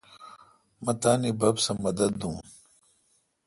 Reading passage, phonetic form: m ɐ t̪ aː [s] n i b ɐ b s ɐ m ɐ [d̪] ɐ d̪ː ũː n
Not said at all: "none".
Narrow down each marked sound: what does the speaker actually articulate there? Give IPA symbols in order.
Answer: none, d̪

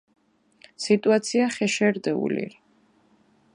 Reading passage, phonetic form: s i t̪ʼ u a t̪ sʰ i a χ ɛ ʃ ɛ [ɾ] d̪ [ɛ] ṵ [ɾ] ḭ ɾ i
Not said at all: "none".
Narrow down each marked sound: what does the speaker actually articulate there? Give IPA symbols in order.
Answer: ɾ, ɛ, l

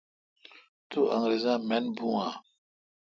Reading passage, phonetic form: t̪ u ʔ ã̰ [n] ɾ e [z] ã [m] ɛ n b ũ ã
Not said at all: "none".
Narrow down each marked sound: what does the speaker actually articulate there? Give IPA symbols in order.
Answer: ŋ, z, m

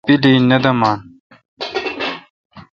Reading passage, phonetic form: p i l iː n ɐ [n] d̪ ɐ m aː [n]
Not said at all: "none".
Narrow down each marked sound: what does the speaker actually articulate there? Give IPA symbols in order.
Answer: none, n

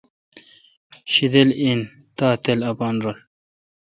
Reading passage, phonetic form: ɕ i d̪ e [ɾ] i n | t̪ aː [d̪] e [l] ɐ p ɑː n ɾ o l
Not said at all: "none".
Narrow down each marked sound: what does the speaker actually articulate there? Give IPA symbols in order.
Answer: l, t̪, l

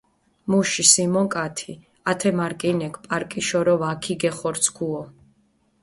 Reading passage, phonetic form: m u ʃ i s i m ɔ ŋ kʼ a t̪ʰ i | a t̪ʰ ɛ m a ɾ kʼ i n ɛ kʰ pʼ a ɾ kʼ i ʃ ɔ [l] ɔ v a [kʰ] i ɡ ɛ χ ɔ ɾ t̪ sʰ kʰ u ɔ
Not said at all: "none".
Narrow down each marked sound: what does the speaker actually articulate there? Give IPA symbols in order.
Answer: ɾ, kʰ

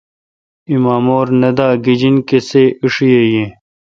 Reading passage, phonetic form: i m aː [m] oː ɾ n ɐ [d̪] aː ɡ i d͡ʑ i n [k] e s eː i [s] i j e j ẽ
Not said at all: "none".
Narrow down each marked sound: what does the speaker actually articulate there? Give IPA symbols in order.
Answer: m, d̪, k, ʂ

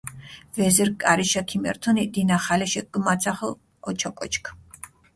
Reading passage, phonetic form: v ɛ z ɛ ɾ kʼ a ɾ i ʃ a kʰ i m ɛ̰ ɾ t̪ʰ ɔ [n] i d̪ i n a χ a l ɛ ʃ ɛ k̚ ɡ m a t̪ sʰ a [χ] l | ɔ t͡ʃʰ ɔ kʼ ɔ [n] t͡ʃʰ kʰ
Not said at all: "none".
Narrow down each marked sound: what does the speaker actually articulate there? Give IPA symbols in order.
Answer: n, χ, none

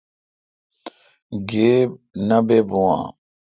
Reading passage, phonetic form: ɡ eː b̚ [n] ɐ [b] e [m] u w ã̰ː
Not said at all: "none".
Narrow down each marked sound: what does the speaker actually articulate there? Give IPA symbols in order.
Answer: n, b, b

